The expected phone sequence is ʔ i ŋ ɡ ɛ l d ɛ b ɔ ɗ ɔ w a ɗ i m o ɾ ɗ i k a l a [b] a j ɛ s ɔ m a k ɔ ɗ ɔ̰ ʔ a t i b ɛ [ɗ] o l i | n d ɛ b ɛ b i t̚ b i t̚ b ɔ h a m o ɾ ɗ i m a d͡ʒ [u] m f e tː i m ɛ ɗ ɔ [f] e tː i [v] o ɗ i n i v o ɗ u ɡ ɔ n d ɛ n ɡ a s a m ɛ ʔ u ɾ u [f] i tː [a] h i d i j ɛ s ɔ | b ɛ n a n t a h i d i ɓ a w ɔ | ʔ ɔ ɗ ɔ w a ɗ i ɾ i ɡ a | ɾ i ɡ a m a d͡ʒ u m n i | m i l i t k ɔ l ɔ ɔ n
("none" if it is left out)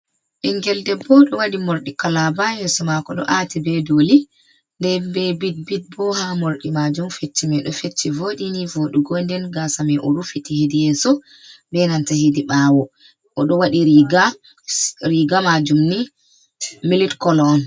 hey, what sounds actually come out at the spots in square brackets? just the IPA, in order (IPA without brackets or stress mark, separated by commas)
b, d, u, f, v, f, i